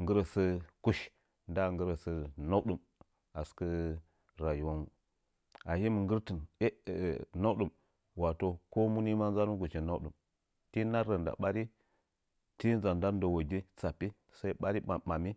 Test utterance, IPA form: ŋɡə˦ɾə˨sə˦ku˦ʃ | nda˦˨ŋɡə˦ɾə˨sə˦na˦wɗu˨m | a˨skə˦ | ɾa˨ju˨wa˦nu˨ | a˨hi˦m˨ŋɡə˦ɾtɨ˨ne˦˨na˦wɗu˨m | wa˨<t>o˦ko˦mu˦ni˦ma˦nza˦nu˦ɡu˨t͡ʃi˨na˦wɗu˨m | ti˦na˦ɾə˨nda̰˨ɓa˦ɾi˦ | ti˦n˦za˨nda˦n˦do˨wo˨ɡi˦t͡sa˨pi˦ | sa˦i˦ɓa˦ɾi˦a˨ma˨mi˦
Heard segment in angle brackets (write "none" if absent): t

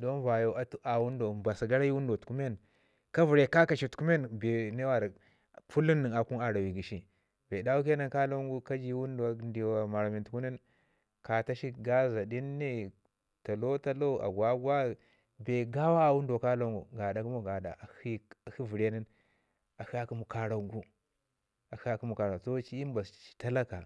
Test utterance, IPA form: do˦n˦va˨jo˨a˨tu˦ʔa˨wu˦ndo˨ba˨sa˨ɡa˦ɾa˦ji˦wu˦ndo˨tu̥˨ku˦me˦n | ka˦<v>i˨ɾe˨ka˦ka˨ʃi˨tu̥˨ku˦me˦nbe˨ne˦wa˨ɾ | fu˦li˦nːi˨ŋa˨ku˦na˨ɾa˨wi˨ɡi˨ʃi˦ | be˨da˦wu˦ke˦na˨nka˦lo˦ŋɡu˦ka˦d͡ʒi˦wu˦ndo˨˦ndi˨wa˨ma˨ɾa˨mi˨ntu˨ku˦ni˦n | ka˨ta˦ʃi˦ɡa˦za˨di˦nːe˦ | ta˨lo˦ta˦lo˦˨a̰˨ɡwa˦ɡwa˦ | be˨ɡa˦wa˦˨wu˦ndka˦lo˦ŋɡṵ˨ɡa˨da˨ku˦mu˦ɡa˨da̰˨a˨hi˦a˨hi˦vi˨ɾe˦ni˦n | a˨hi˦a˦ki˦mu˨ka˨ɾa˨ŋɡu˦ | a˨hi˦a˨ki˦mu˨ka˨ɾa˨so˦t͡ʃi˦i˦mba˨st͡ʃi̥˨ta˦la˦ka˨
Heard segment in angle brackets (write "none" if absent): v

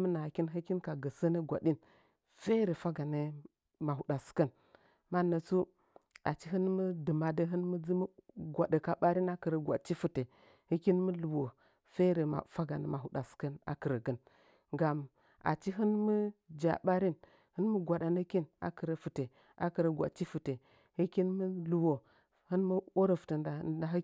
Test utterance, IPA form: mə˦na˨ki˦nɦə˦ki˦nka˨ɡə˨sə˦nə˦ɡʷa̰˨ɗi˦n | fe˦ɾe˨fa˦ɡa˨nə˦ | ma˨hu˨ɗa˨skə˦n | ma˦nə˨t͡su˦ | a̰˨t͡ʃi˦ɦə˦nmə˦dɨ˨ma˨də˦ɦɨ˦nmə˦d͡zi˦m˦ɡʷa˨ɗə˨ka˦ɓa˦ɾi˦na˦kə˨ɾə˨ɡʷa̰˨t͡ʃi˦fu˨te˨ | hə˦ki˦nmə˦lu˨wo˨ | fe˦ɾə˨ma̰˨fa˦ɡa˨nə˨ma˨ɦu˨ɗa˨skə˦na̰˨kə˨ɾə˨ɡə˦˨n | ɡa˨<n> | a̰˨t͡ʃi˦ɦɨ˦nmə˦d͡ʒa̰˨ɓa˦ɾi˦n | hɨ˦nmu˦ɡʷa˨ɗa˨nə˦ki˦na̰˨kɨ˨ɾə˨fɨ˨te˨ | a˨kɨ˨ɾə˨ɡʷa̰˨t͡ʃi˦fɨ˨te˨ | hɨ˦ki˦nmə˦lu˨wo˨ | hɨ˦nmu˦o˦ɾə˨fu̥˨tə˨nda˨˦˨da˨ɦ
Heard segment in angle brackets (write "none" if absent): m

